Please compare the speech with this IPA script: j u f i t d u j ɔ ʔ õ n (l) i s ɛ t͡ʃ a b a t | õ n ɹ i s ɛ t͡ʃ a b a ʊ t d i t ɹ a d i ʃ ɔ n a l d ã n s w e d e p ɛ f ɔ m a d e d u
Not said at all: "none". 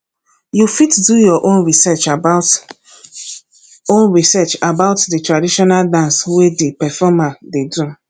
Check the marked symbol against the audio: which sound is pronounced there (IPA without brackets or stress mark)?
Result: ɹ